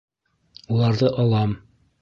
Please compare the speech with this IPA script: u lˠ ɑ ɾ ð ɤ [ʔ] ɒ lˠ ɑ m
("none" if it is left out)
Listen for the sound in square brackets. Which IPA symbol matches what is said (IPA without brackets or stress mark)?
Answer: ʔ